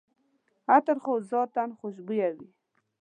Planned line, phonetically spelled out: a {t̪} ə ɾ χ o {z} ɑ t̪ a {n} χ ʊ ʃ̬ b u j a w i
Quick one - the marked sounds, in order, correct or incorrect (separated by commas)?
correct, correct, correct